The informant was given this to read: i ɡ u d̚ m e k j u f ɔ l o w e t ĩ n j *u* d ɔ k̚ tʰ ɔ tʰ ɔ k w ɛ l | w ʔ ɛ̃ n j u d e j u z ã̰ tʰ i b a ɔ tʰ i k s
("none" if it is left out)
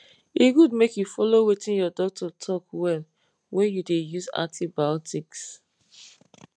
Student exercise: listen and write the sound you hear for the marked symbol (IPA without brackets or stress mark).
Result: ɔ